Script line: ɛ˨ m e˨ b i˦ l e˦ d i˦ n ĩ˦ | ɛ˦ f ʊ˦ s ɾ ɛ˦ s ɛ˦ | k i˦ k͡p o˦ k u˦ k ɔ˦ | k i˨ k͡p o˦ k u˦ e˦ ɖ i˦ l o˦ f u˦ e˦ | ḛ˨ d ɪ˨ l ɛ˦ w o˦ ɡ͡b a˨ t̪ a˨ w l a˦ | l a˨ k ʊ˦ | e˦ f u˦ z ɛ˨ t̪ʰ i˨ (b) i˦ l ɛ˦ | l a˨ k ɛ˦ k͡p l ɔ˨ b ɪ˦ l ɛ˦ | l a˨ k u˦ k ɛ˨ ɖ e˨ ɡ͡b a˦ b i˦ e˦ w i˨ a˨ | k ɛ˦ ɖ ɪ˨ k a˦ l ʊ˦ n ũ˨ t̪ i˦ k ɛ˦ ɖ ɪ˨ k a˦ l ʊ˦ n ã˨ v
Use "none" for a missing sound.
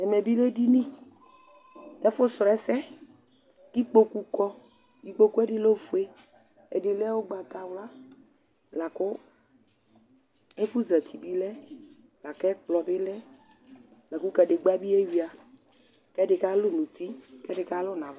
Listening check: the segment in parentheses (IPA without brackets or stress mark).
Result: b